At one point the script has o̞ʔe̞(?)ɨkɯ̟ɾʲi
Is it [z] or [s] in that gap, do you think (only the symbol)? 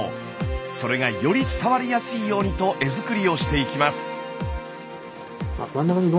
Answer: z